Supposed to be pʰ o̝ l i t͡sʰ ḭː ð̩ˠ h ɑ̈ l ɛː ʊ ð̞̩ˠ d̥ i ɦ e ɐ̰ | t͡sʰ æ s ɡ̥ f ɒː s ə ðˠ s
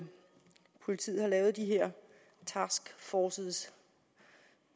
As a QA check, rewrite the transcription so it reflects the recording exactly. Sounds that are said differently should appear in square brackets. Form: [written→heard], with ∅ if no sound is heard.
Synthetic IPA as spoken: pʰ o̝ l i t͡sʰ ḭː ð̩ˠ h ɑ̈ l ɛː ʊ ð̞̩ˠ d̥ i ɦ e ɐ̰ | t͡sʰ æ s ɡ̥ f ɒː s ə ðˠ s